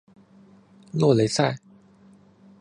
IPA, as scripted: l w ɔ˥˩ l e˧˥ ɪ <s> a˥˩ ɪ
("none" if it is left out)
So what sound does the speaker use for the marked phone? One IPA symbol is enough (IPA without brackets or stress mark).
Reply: s